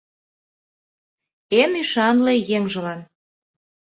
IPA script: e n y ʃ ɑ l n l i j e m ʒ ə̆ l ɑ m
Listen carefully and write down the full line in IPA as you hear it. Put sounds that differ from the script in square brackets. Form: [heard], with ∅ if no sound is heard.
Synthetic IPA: e n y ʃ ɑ [∅] n l [e] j e [ŋ] ʒ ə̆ l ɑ [n]